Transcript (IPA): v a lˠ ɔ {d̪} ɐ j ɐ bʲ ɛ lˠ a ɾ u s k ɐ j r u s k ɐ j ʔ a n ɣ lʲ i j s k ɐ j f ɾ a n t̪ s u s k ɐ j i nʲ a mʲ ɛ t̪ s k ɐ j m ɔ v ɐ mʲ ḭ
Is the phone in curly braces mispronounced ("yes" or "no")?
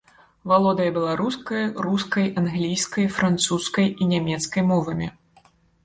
no